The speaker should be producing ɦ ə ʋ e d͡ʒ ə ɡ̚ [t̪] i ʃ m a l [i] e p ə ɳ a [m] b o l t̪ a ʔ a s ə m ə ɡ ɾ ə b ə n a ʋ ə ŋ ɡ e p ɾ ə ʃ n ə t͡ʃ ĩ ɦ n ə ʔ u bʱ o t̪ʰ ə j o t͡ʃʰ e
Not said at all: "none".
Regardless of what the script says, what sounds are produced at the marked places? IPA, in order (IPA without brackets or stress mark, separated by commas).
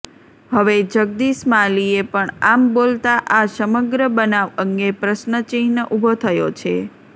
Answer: d̪, i, m